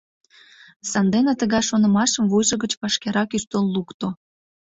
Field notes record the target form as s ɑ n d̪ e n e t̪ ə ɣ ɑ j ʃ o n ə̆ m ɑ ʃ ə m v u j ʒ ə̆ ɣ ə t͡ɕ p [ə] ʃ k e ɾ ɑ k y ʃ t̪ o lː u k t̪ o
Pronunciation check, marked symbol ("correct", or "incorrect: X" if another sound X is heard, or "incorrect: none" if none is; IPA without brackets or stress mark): incorrect: ɑ